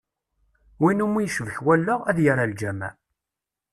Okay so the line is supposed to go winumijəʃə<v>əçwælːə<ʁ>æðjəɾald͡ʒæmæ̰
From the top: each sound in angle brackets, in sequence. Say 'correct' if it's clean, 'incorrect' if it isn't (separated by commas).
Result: correct, correct